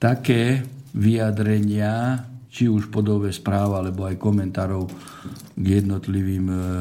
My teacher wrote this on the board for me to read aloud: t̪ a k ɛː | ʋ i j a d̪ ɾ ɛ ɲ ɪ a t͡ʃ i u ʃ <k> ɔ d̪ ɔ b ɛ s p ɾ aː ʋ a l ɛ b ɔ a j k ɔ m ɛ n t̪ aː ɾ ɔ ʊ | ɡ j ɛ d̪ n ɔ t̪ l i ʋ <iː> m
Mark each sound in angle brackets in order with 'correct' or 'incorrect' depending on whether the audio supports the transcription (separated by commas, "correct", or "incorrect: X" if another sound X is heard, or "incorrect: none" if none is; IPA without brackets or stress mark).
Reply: incorrect: p, correct